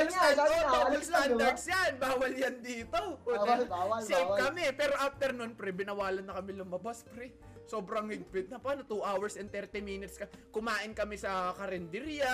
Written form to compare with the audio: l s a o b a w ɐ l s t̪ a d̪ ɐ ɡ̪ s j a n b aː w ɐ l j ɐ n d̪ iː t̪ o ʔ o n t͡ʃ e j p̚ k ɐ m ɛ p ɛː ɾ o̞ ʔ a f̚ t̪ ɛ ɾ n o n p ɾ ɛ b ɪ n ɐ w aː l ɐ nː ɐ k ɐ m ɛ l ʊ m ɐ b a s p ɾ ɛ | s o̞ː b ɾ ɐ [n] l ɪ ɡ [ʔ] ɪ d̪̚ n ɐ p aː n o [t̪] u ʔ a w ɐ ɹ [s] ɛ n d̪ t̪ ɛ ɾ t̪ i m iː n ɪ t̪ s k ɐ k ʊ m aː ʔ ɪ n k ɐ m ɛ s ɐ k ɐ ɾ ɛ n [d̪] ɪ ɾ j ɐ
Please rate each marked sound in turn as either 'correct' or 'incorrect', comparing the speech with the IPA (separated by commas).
incorrect, incorrect, correct, correct, correct